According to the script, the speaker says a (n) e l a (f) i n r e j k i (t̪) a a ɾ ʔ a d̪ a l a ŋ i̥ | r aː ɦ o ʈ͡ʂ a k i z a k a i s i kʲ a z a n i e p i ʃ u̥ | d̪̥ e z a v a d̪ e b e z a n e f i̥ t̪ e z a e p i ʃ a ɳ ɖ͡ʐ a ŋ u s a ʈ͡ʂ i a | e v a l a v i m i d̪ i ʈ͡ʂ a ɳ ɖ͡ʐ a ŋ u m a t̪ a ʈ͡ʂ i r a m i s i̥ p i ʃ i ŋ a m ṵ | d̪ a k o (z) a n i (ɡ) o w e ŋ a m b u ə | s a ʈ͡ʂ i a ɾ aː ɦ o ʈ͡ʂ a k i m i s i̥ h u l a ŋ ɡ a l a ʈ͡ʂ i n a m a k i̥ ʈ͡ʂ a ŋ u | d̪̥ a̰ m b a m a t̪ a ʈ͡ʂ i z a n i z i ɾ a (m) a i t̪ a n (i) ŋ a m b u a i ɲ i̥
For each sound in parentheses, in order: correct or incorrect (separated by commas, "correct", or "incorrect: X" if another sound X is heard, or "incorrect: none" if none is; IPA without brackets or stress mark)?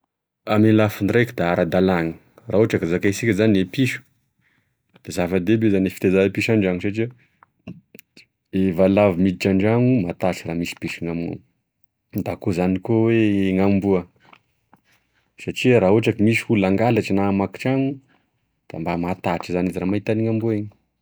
incorrect: m, correct, incorrect: d̪, correct, incorrect: k, correct, correct